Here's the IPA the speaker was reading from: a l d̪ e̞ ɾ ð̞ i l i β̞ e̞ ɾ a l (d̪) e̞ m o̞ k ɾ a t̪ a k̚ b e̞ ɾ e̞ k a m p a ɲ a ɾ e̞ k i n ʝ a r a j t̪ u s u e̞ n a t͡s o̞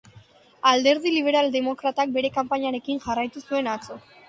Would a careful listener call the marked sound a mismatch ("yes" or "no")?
no